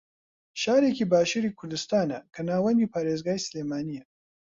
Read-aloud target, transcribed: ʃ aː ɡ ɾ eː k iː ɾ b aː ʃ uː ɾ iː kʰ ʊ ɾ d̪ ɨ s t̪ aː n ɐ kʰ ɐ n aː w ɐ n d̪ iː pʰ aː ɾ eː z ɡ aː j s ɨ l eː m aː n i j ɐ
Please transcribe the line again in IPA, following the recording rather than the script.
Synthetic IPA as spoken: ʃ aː ɾ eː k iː b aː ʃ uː ɾ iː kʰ ʊ ɾ d̪ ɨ s t̪ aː n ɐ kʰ ɐ n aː w ɐ n d̪ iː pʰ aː ɾ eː z ɡ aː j s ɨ l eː m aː n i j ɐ